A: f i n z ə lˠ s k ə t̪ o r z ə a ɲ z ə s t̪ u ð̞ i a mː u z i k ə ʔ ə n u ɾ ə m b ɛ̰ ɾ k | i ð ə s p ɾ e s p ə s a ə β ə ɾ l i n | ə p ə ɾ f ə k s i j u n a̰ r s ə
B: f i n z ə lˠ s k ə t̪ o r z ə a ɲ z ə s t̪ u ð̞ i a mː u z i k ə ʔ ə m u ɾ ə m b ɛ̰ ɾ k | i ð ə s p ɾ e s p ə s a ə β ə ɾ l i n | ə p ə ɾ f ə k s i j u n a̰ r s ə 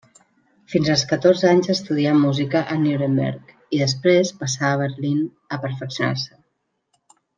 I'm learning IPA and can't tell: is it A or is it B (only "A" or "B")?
A